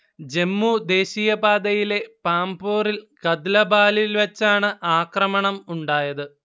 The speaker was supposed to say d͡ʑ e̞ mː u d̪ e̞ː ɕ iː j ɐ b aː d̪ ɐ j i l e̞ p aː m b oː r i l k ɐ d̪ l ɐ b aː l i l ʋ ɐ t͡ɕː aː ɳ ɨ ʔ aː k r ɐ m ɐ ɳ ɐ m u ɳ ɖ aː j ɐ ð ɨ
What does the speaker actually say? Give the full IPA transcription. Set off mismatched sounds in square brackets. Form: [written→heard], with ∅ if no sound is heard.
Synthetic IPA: d͡ʑ e̞ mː u d̪ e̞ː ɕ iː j ɐ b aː d̪ ɐ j i l e̞ p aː m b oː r i l k ɐ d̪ l ɐ b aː l i l ʋ ɐ t͡ɕː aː ɳ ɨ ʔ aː k r ɐ m ɐ ɳ ɐ m u ɳ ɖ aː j ɐ ð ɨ